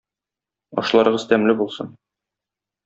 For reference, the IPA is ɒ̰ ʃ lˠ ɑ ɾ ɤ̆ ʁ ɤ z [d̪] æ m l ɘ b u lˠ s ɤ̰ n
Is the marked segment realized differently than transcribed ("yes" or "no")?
yes